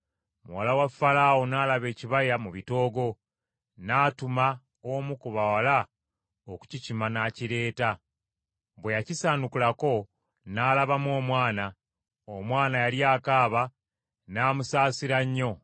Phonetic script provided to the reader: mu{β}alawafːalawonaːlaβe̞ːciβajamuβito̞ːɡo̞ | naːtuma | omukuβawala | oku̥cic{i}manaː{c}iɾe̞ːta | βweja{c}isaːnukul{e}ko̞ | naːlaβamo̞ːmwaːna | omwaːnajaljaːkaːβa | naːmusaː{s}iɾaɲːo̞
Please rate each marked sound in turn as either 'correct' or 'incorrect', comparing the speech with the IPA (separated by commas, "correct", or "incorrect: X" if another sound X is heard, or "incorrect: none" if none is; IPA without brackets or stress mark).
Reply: incorrect: w, correct, correct, correct, incorrect: a, correct